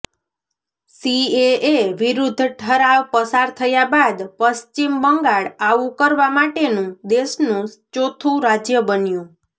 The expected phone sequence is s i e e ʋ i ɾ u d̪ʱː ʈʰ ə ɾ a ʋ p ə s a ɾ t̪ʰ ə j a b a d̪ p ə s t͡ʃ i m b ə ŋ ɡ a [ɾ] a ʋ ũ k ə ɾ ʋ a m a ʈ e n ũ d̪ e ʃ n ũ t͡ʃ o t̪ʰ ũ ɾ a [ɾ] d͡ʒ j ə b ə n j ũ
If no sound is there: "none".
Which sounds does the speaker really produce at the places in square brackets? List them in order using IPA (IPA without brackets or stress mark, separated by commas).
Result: ɭ, none